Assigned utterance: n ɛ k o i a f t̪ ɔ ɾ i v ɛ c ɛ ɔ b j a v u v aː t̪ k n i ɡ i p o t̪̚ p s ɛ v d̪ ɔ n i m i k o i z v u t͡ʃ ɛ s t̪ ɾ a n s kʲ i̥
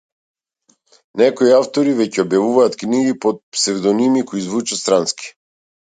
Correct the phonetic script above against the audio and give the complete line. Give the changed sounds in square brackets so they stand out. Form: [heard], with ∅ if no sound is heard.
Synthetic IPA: n ɛ k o i a f t̪ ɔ ɾ i v ɛ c ɛ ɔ b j a v u v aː t̪ k n i ɡ i p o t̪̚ p s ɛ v d̪ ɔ n i m i k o i z v u t͡ʃ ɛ s t̪ ɾ a n s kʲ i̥